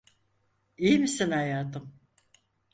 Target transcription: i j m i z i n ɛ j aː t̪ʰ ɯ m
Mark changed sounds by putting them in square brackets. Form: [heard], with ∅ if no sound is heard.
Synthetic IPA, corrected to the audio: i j m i [s] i n [a] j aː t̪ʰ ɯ m